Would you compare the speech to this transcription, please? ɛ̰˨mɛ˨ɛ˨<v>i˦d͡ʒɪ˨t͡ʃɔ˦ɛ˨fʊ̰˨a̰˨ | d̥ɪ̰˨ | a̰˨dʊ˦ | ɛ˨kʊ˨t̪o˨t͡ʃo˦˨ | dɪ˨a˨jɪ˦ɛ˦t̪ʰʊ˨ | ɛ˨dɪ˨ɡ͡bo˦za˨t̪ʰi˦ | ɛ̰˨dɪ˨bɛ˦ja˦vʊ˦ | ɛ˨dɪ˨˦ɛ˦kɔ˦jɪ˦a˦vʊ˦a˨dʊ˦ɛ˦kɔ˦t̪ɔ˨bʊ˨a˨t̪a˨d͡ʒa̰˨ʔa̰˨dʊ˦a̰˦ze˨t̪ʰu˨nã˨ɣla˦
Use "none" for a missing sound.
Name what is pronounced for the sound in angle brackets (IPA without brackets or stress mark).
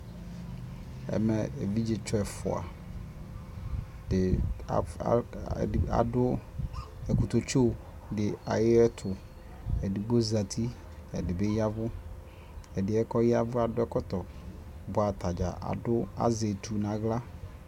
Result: v